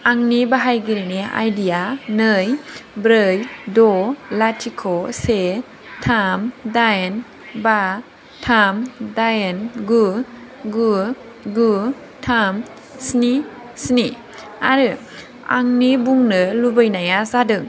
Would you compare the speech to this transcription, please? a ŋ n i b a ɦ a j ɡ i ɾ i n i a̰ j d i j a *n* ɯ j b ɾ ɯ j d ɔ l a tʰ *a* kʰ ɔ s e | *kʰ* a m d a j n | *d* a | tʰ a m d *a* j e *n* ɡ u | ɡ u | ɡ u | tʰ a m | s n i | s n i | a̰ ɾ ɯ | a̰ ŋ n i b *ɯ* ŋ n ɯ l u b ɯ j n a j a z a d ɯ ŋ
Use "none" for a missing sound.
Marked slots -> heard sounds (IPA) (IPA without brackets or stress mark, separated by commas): n, i, tʰ, b, a, n, u